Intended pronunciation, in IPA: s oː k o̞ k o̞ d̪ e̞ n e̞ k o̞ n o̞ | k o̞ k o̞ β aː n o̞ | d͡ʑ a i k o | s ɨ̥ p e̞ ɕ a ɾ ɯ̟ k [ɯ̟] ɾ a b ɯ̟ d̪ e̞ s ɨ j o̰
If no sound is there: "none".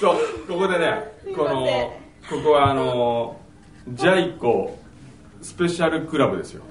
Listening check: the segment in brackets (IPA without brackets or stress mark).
ɯ̟